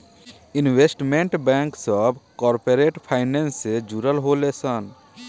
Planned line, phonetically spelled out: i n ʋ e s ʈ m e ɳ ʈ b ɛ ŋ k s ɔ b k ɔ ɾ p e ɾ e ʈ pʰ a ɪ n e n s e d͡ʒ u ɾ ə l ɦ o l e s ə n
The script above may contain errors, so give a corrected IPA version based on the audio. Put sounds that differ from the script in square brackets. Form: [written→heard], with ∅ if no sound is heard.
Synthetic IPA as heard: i n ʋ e s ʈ m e ɳ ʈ b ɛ ŋ k s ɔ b k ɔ ɾ p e ɾ e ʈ pʰ a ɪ n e n s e d͡ʒ u ɾ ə l ɦ o l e s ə n